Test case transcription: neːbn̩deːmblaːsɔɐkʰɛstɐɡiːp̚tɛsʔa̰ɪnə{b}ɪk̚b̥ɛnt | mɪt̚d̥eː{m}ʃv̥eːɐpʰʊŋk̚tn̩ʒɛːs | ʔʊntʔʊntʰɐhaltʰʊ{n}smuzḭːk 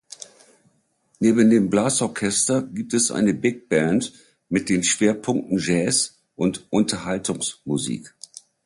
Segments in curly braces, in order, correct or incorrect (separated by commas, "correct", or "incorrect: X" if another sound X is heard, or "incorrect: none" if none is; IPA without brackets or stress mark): correct, incorrect: n, incorrect: ŋ